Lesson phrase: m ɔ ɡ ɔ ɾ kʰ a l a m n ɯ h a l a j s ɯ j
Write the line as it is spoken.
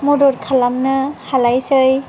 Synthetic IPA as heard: m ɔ d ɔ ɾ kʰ a l a m n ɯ h a l a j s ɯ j